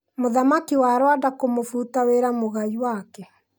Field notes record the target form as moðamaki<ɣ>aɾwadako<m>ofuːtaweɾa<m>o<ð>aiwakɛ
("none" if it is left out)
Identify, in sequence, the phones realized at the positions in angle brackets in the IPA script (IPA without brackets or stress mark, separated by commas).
w, m, m, ɣ